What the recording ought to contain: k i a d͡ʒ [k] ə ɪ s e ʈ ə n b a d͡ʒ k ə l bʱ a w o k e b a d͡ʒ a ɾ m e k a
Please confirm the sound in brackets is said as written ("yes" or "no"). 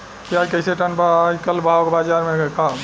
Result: yes